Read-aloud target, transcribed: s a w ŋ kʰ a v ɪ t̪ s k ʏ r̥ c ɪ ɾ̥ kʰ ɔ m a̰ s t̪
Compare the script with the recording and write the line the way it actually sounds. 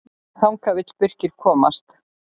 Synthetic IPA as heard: θ a w ŋ k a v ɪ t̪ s p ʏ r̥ c ɪ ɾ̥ kʰ ɔː m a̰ s t̪